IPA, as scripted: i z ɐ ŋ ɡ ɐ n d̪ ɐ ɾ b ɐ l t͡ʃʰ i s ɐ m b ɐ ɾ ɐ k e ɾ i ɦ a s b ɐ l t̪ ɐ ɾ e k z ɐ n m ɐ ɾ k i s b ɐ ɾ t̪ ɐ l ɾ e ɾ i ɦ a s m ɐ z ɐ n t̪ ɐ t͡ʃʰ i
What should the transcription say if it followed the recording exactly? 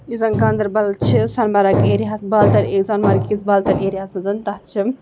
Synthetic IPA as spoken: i z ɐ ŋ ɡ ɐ n d̪ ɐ ɾ b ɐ l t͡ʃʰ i s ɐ n b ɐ ɾ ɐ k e ɾ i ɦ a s b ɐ l t̪ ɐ ɾ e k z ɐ n m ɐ ɾ k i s b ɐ l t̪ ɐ ɾ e ɾ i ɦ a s m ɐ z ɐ n t̪ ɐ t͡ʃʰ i